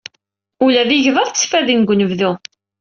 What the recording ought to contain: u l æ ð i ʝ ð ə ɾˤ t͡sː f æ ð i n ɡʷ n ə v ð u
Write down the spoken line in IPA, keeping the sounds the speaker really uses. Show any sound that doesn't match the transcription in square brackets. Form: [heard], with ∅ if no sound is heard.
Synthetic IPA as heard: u l æ ð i ʝ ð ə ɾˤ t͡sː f æ ð i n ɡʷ n ə v ð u